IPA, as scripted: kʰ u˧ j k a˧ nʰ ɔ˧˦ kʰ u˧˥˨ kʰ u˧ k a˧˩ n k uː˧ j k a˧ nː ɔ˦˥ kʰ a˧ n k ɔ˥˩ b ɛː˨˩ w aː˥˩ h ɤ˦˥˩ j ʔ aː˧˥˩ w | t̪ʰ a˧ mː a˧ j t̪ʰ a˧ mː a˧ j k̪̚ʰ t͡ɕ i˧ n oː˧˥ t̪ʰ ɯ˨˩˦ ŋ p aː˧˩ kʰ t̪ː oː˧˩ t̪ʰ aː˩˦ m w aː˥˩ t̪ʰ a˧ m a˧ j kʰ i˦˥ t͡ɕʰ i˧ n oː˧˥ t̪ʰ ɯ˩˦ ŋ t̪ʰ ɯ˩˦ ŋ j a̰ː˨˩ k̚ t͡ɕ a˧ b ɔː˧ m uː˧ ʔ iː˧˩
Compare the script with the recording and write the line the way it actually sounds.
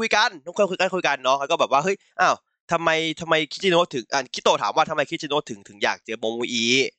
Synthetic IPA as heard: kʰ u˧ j k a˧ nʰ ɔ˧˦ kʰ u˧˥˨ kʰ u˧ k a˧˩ n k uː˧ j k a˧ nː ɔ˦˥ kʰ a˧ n k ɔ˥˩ b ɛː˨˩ w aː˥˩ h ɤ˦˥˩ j ʔ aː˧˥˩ w | t̪ʰ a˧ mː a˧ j t̪ʰ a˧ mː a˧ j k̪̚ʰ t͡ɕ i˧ n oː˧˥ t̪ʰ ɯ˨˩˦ ŋ ʔ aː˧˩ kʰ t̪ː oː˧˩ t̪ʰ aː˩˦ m w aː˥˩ t̪ʰ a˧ m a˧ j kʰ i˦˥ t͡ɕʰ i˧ n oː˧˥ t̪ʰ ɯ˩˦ ŋ t̪ʰ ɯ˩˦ ŋ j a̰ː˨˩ k̚ t͡ɕ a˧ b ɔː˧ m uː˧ ʔ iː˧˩